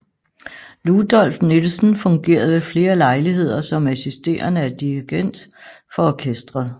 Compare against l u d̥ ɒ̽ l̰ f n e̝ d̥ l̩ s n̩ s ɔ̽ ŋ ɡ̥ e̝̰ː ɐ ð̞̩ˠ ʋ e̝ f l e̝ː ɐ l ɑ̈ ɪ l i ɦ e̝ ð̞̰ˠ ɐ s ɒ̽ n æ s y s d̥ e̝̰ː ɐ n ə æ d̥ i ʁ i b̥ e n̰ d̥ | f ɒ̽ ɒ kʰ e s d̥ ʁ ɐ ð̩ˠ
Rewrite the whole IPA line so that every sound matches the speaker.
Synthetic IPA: l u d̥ ɒ̽ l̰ f n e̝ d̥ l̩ s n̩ f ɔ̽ ŋ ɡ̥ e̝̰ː ɐ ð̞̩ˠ ʋ e̝ f l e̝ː ɐ l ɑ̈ ɪ l i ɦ e̝ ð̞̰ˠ ɐ s ɒ̽ m æ s i s d̥ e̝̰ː ɐ n ə æ d̥ i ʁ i ɡ̥ e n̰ d̥ | f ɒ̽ ɒ kʰ e s d̥ ʁ ɐ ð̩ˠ